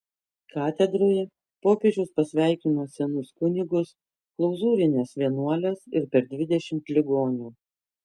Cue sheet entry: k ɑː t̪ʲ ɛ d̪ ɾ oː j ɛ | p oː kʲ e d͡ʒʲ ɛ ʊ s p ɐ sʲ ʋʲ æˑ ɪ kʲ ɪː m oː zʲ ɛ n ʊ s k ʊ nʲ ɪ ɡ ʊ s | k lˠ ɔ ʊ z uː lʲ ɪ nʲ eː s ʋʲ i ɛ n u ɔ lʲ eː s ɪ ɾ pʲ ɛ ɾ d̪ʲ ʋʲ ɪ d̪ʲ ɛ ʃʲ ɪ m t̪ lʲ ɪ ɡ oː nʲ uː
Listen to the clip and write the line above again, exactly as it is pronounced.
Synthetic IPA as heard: k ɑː t̪ʲ ɛ d̪ ɾ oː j ɛ | p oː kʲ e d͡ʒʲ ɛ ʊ s p ɐ sʲ ʋʲ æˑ ɪ kʲ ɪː n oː sʲ ɛ n ʊ s k ʊ nʲ ɪ ɡ ʊ s | k lˠ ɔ ʊ z uː ɾʲ ɪ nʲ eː s ʋʲ i ɛ n u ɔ lʲ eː s ɪ ɾ pʲ ɛ ɾ d̪ʲ ʋʲ ɪ d̪ʲ ɛ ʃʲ ɪ m t̪ lʲ ɪ ɡ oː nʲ uː